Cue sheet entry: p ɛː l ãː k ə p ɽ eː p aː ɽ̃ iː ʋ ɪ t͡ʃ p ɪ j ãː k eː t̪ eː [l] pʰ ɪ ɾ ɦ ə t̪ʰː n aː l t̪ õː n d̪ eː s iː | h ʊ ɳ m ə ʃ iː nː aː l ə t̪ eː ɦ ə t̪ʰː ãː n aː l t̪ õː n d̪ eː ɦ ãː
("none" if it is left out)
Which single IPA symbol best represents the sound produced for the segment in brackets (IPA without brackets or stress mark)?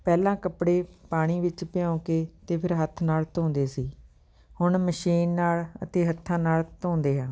none